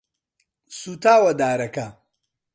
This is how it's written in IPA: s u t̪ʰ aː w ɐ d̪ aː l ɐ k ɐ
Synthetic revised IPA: s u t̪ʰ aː w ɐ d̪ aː ɾ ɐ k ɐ

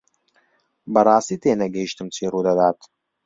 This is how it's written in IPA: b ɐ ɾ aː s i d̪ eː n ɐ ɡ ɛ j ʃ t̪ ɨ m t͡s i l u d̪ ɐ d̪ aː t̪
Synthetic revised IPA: b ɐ ɾ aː s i t̪ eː n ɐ ɡ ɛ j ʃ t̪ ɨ m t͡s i ɾ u d̪ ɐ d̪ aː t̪

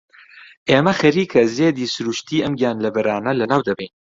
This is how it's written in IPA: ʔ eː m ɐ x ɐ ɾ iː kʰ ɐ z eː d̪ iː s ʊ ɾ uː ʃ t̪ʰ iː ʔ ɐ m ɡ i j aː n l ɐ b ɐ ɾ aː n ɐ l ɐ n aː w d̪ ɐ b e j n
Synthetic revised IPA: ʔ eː m ɐ x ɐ ɾ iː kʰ ɐ z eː d̪ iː s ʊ ɾ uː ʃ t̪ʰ iː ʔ ɐ m ɡ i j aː n l ɐ b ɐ ɾ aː n ɐ l ɐ n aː w d̪ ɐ b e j n

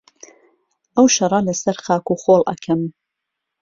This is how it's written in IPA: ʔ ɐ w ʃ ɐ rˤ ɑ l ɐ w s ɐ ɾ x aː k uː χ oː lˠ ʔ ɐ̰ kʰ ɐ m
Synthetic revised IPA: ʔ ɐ w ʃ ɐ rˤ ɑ l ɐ s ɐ ɾ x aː k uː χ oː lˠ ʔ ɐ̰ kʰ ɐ m

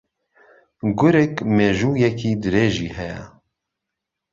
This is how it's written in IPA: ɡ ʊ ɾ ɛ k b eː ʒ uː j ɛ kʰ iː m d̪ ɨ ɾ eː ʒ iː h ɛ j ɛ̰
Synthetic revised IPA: ɡ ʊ ɾ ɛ k m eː ʒ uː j ɛ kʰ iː d̪ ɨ ɾ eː ʒ iː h ɛ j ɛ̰

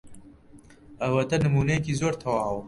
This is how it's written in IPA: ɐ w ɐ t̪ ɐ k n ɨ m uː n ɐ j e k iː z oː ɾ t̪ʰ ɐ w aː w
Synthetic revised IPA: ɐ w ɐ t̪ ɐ n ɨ m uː n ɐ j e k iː z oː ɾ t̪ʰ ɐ w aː w

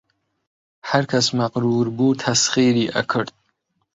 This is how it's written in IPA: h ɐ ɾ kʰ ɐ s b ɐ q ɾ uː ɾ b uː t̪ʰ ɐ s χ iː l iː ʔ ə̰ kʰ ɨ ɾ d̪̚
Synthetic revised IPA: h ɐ ɾ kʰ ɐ s m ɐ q ɾ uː ɾ b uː t̪ʰ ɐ s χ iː ɾ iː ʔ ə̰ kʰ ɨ ɾ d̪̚

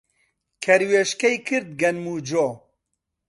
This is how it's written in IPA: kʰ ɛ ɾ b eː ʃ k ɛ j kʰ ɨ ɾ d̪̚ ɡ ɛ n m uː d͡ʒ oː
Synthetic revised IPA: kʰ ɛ ɾ w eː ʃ k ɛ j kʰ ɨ ɾ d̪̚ ɡ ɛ n m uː d͡ʒ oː

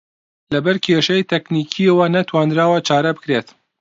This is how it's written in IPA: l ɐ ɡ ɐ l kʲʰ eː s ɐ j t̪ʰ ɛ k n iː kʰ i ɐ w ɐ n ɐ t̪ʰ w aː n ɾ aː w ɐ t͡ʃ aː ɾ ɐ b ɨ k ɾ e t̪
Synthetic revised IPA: l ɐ b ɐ ɾ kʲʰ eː ʃ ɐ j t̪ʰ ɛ k n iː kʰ i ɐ w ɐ n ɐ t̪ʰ w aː n ɾ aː w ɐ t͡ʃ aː ɾ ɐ b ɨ k ɾ e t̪

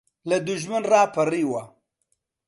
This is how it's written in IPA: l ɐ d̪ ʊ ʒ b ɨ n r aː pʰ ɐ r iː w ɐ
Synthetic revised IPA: l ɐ d̪ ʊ ʒ m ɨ n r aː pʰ ɐ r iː w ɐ

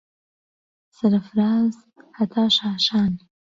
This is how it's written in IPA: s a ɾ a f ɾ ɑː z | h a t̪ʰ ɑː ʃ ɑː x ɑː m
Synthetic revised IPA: s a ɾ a f ɾ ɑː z | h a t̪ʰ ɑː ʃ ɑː ʃ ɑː n

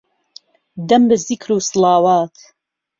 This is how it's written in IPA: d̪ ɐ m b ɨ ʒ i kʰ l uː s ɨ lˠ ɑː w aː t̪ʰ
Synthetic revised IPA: d̪ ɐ m b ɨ z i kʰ ɾ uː s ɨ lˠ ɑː w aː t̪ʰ

